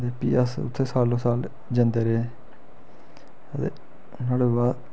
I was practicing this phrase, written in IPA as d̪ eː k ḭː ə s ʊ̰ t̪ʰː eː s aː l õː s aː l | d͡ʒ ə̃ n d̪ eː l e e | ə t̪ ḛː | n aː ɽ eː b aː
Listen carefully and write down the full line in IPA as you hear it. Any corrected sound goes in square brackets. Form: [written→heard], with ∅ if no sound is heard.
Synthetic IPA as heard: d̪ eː [k→p] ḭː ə s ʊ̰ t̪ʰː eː s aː l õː s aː l | d͡ʒ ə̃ n d̪ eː [l→ɾ] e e | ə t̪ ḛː | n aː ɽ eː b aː